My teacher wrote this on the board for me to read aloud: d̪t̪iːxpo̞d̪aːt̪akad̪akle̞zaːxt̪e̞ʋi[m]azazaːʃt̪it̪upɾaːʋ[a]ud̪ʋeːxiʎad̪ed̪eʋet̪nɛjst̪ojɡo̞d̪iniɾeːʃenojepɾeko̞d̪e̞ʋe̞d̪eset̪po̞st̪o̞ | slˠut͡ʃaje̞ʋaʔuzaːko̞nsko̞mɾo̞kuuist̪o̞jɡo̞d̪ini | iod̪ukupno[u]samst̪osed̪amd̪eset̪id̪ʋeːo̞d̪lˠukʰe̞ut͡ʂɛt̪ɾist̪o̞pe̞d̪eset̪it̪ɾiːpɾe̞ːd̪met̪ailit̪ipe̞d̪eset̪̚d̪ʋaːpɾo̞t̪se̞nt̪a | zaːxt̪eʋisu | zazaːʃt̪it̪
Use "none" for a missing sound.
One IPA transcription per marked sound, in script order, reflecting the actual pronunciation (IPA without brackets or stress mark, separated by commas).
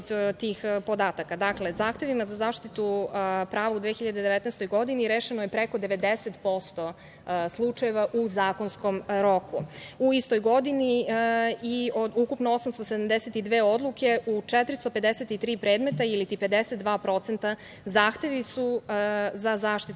m, a, o